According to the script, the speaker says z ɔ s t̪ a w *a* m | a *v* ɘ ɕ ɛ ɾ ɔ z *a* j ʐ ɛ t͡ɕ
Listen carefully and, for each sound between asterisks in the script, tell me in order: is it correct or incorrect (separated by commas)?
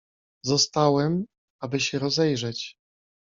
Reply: incorrect, incorrect, incorrect